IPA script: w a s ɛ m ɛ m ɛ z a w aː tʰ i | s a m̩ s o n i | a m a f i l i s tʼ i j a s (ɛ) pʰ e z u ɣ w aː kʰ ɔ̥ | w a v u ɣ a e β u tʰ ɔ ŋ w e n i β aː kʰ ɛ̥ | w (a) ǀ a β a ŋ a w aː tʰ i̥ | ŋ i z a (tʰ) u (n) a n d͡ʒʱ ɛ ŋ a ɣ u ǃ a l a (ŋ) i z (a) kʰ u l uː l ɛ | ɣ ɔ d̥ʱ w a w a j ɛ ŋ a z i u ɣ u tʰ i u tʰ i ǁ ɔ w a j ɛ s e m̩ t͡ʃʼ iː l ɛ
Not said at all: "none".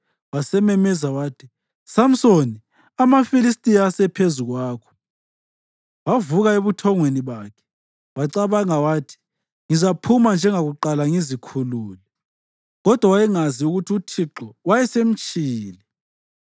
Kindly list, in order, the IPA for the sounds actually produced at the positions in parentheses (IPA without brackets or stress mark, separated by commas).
ɛ, a, pʰ, m, ŋ, i